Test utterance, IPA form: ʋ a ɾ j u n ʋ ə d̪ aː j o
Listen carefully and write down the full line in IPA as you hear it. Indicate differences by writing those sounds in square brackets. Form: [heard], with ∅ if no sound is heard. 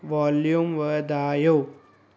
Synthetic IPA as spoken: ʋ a [l] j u [m] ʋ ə d̪ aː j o